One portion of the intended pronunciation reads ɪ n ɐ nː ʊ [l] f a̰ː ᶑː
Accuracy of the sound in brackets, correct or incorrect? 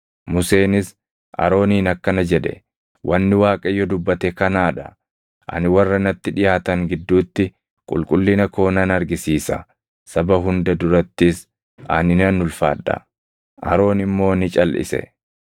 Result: correct